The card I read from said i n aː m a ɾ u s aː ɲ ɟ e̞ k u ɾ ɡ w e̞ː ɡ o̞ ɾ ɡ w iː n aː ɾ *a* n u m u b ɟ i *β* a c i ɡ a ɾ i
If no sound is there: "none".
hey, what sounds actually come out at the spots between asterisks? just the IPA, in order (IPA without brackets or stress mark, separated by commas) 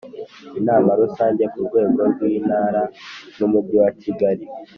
a, w